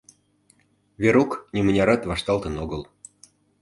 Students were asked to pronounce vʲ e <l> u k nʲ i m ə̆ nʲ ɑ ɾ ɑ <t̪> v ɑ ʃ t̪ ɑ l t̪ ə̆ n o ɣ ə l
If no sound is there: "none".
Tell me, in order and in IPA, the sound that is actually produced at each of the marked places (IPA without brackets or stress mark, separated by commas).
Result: ɾ, t̪